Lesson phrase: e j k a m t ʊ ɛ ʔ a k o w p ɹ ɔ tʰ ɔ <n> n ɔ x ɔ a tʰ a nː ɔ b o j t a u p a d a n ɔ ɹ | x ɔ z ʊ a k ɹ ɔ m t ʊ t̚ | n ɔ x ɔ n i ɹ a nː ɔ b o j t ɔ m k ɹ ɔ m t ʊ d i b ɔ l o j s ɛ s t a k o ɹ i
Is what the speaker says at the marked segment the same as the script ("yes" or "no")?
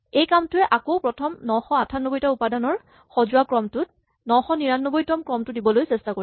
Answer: no